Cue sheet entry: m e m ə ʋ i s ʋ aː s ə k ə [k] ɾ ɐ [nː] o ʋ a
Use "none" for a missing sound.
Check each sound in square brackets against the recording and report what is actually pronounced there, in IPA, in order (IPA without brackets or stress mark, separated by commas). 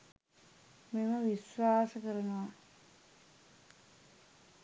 none, n